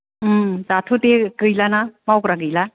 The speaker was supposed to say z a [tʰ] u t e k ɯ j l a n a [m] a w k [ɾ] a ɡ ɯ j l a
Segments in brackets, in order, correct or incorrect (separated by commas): correct, correct, correct